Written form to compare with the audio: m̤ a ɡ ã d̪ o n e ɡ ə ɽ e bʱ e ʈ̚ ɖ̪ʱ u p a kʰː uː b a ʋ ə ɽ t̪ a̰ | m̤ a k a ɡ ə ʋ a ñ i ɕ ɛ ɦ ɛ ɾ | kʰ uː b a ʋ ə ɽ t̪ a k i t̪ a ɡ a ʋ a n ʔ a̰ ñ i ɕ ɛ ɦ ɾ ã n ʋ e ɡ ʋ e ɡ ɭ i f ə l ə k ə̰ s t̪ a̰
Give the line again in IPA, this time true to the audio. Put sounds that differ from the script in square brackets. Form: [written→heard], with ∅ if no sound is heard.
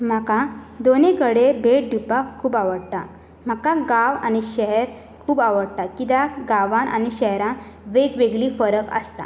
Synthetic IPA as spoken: m̤ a [ɡ→k] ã d̪ o n e ɡ ə ɽ e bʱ e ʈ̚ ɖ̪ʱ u p a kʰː uː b a ʋ ə ɽ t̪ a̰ | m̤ a k a ɡ [ə→a] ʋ a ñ i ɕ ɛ ɦ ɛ ɾ | kʰ uː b a ʋ ə ɽ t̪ a k i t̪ a ɡ a ʋ a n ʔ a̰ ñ i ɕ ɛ ɦ ɾ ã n ʋ e ɡ ʋ e ɡ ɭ i f ə [l→ɾ] ə k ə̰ s t̪ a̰